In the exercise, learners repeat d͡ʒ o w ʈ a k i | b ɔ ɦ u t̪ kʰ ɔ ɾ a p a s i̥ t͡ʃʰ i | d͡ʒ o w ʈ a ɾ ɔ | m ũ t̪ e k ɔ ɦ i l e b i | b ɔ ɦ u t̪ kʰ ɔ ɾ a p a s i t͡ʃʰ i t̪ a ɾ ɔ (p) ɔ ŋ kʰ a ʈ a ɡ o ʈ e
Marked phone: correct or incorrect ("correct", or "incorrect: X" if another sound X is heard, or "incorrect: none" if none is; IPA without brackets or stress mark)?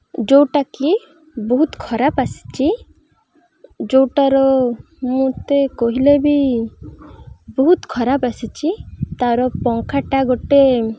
correct